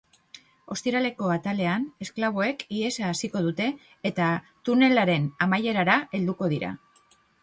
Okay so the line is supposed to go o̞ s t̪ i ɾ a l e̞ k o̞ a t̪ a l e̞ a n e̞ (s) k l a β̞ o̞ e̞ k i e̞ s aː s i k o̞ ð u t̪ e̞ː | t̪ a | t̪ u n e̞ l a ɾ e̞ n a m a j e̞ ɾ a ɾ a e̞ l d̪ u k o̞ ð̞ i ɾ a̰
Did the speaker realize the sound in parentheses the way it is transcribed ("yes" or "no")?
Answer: yes